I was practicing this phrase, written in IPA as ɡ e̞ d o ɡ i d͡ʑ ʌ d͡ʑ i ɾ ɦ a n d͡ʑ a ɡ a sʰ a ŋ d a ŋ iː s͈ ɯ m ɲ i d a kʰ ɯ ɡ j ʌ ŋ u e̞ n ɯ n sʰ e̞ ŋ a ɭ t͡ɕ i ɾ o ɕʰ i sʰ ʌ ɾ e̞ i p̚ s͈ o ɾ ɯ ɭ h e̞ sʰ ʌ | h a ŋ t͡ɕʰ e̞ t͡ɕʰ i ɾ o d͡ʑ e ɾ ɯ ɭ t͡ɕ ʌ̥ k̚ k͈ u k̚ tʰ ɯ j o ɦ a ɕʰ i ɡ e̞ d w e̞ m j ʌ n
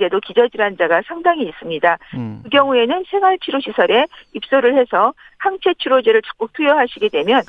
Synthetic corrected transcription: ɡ e̞ d o k i d͡ʑ ʌ d͡ʑ i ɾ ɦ a n d͡ʑ a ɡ a sʰ a ŋ d a ŋ iː s͈ ɯ m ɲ i d a k ɯ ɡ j ʌ ŋ u e̞ n ɯ n sʰ e̞ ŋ a ɭ t͡ɕʰ i ɾ o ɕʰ i sʰ ʌ ɾ e̞ i p̚ s͈ o ɾ ɯ ɭ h e̞ sʰ ʌ | h a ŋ t͡ɕʰ e̞ t͡ɕʰ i ɾ o d͡ʑ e ɾ ɯ ɭ t͡ɕ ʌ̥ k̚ k͈ u k̚ tʰ u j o ɦ a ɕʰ i ɡ e̞ d w e̞ m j ʌ n